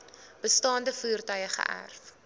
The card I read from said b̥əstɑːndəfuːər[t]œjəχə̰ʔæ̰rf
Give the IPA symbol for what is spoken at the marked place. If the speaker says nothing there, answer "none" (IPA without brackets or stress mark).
t